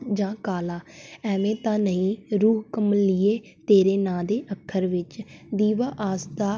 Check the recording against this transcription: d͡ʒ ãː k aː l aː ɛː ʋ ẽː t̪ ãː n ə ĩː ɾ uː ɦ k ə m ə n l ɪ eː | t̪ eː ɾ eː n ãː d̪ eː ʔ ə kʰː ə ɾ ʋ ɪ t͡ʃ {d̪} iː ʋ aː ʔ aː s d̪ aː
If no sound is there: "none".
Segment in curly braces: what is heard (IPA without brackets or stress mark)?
d̪